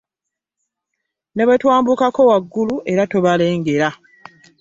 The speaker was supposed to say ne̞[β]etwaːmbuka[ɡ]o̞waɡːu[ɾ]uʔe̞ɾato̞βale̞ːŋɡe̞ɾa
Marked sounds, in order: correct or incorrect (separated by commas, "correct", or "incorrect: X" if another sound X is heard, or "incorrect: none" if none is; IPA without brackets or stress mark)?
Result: correct, incorrect: k, incorrect: l